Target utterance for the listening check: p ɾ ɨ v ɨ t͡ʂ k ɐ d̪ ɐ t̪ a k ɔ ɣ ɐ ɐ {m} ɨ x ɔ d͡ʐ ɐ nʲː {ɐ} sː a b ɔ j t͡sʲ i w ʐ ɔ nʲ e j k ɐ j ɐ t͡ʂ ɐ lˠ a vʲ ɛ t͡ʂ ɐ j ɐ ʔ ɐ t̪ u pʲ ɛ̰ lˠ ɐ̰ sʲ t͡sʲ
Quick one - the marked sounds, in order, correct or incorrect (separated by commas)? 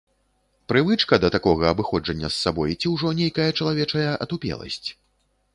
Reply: incorrect, correct